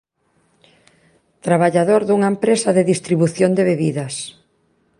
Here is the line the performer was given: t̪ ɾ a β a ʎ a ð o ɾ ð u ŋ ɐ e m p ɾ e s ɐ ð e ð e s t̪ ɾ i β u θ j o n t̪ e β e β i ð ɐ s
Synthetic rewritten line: t̪ ɾ a β a ʎ a ð o ɾ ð u ŋ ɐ e m p ɾ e s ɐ ð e ð i s t̪ ɾ i β u θ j o n d̪ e β e β i ð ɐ s